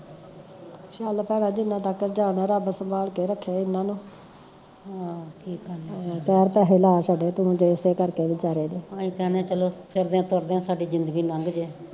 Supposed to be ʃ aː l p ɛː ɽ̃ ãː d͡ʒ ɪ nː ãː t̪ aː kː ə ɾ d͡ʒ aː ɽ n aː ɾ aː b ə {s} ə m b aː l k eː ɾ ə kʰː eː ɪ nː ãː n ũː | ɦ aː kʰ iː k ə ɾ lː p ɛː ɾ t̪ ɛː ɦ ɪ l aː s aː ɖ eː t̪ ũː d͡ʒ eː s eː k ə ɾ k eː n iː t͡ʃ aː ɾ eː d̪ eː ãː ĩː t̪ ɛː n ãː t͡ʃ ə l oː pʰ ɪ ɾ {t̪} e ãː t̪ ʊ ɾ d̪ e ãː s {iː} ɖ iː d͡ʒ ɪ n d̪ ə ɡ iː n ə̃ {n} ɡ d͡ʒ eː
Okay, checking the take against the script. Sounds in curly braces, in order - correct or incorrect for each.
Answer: correct, incorrect: d̪, incorrect: aː, incorrect: ŋ

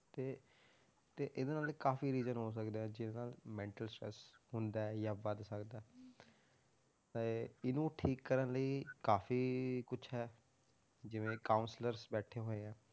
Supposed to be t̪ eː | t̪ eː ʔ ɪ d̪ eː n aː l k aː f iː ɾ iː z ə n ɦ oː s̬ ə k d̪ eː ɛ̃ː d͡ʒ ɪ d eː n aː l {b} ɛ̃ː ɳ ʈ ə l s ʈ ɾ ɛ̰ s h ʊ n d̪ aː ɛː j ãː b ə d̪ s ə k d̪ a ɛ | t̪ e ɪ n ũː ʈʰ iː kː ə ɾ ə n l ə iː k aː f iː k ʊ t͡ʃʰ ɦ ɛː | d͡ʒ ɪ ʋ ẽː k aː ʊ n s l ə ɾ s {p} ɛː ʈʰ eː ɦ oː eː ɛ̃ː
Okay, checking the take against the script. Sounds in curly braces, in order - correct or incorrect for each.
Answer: incorrect: m, incorrect: b

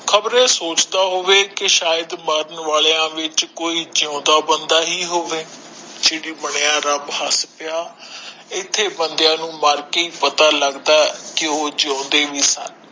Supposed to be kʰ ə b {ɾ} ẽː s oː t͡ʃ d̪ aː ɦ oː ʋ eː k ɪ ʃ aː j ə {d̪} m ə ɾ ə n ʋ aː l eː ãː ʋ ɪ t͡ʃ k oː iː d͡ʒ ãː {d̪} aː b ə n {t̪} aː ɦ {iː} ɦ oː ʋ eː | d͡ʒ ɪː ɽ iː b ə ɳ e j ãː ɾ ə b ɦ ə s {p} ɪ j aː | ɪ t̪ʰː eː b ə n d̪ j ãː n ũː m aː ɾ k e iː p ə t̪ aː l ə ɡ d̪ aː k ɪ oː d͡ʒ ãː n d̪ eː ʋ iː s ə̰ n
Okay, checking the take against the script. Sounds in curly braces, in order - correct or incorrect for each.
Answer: correct, correct, correct, incorrect: d̪, correct, correct

